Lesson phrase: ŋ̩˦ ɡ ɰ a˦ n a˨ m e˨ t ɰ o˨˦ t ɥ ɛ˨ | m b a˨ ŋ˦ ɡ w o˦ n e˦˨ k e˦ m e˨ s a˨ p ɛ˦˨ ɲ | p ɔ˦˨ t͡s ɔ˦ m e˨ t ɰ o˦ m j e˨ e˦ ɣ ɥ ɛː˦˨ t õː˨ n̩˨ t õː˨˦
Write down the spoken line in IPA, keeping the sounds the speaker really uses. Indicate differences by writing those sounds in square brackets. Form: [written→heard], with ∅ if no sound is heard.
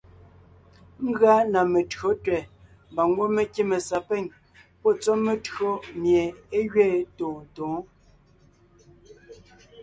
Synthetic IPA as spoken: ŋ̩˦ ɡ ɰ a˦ n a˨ m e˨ t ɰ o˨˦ t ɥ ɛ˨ | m b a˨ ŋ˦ ɡ w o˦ [n→m] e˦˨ k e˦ m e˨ s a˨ p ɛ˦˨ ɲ | p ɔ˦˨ t͡s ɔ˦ m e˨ t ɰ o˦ m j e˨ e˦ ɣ ɥ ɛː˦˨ t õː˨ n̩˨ t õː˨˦

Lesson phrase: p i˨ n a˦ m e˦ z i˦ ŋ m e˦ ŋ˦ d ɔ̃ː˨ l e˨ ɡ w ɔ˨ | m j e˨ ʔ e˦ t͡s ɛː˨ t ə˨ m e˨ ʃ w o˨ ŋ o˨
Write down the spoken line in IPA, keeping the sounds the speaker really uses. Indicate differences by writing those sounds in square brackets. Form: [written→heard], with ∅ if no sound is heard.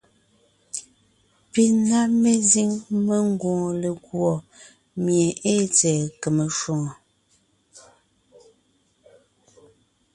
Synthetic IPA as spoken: p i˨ n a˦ m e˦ z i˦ ŋ m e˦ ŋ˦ [d→ɡ] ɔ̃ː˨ l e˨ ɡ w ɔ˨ | m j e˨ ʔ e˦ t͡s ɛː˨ [t→k] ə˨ m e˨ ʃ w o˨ ŋ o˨

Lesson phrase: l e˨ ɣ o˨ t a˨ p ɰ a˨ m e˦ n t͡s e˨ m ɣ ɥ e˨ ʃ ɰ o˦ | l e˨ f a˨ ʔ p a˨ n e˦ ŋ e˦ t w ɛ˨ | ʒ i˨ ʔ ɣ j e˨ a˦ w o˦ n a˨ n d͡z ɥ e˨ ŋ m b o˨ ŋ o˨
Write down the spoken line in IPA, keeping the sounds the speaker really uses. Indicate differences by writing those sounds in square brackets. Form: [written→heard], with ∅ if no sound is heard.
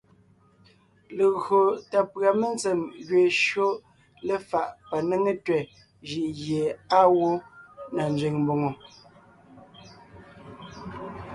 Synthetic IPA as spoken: l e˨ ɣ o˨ t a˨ p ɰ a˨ m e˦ n t͡s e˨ m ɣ ɥ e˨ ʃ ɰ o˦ | l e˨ f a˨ ʔ p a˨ n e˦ ŋ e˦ t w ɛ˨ | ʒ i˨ ʔ ɣ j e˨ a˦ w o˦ n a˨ n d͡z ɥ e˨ ŋ m b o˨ ŋ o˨

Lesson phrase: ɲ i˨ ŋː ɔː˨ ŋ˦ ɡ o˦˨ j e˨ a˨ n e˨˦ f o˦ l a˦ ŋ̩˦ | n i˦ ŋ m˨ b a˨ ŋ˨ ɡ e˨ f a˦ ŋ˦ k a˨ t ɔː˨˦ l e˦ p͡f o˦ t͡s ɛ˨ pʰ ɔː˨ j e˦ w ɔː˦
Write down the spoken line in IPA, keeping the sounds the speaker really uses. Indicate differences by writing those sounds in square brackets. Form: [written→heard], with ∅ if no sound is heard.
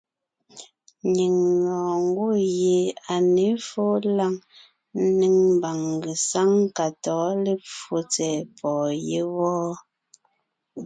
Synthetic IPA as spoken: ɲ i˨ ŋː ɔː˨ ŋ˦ ɡ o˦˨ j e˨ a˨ n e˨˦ f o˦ l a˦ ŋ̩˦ | n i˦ ŋ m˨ b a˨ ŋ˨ ɡ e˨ [f→s] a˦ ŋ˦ k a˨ t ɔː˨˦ l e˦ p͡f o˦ t͡s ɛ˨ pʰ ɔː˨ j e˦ w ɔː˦

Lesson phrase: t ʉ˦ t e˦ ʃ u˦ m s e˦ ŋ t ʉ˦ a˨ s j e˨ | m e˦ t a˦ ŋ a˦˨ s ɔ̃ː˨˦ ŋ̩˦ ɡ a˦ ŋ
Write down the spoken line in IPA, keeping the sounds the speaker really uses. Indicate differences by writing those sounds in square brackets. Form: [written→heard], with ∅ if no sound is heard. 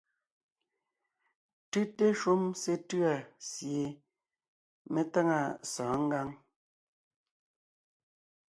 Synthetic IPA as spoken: t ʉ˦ t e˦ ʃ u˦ m s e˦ [ŋ→∅] t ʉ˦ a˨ s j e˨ | m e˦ t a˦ ŋ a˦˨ s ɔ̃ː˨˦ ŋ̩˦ ɡ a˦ ŋ

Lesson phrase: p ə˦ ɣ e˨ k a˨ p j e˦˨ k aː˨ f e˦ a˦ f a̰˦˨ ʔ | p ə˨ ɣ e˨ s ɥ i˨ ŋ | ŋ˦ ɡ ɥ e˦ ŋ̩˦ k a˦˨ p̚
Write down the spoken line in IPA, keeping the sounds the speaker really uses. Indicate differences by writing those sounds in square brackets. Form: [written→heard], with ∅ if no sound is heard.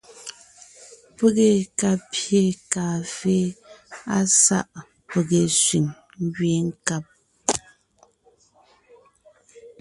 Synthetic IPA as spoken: p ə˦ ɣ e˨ k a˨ p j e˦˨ k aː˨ f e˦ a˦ [f→s] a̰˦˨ ʔ | p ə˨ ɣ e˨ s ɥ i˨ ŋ | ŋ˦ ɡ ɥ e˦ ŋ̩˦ k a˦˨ p̚

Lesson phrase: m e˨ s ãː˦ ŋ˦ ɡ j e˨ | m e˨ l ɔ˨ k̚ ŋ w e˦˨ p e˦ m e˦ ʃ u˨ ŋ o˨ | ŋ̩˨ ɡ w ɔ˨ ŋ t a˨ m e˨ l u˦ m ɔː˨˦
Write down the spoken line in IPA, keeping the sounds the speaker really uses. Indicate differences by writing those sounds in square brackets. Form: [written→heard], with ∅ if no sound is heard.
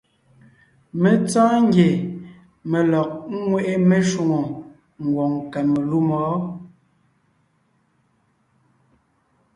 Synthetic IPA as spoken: m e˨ [s→t͡s] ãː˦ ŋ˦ ɡ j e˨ | m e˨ l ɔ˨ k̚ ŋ w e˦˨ [p→ʔ] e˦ m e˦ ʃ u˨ ŋ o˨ | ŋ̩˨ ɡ w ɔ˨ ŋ [t→k] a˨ m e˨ l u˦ m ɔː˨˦

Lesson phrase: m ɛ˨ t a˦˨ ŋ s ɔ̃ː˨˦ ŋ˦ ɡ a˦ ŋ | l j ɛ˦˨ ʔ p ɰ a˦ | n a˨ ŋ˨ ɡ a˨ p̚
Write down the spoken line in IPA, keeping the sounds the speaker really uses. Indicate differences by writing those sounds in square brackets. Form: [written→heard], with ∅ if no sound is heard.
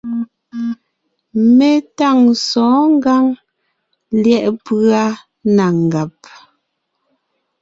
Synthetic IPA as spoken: m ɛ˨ t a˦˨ ŋ s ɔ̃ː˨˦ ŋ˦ ɡ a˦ ŋ | l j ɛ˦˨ ʔ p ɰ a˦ | n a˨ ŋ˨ ɡ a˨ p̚

